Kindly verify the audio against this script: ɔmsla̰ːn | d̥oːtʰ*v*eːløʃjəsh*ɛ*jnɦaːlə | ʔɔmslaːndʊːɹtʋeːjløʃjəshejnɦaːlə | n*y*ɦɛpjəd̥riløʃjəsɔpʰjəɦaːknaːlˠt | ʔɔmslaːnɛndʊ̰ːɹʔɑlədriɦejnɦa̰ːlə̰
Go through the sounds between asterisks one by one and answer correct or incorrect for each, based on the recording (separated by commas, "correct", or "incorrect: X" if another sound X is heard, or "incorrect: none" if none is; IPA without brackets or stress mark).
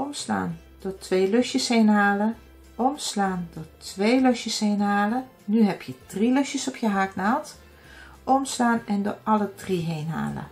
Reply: incorrect: ʋ, incorrect: e, correct